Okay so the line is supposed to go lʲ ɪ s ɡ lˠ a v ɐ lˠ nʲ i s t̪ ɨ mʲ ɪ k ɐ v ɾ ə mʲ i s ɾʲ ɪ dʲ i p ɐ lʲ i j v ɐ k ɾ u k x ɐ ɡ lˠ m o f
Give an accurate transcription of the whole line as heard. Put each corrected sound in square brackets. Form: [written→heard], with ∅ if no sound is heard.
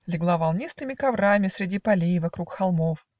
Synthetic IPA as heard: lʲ ɪ [s→∅] ɡ lˠ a v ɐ lˠ nʲ i s t̪ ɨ mʲ ɪ k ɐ v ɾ [ə→a] mʲ [i→ɪ] s ɾʲ ɪ dʲ i p ɐ lʲ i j v ɐ k ɾ u k x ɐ [ɡ→∅] lˠ m o f